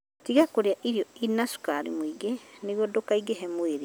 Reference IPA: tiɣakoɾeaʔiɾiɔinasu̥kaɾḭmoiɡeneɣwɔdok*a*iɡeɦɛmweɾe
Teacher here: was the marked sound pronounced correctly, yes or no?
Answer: yes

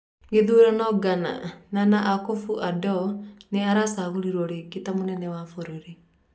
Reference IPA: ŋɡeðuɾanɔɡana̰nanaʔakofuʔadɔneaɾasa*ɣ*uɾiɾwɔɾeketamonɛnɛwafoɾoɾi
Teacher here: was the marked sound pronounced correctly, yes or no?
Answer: yes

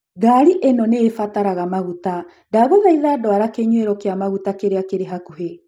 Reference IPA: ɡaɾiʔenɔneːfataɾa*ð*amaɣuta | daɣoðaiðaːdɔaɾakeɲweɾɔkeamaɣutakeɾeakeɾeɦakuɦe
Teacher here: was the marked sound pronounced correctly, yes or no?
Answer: no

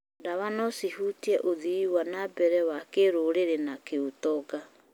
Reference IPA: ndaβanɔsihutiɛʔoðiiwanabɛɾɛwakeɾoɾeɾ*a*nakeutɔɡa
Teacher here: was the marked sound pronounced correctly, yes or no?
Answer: no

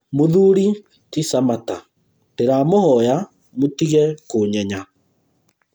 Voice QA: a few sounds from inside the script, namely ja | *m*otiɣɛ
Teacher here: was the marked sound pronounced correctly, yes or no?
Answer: yes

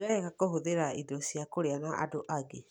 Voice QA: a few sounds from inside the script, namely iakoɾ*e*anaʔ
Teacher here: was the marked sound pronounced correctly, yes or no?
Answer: yes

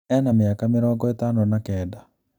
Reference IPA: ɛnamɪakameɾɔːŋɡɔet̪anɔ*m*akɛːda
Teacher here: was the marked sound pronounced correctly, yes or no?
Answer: no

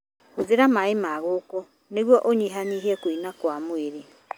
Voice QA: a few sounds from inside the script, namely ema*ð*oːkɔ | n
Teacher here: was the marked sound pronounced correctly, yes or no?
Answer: no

